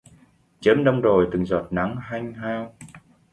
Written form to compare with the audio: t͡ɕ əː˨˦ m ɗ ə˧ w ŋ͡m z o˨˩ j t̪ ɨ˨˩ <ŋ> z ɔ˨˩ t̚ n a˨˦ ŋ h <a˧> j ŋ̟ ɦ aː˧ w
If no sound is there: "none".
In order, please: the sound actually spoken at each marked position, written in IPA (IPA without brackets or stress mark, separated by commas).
ŋ, a˧